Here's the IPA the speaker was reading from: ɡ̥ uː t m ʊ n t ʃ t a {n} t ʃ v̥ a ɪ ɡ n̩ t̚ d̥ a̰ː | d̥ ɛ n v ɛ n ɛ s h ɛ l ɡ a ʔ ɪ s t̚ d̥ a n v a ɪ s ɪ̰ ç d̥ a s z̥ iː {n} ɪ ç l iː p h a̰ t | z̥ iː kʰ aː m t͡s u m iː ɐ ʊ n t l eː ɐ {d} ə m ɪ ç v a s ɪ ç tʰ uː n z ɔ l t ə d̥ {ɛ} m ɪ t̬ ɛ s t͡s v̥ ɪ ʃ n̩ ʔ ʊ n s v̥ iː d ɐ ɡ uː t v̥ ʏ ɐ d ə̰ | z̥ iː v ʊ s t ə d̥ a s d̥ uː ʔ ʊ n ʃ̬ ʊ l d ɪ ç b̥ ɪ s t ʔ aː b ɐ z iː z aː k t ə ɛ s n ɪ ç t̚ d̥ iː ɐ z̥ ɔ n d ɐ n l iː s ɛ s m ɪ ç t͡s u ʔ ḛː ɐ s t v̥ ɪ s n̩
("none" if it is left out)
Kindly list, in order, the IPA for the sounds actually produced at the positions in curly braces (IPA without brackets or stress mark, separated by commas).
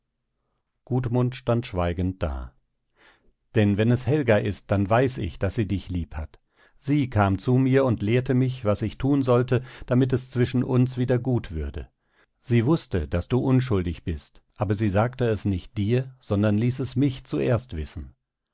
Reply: n, d, t, a